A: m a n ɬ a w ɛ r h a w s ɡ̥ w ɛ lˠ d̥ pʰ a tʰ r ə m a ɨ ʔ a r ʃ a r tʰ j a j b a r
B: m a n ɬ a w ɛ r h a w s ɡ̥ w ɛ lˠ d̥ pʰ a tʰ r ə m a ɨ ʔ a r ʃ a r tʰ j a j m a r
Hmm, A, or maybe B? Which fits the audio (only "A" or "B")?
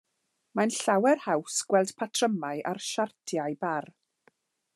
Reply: A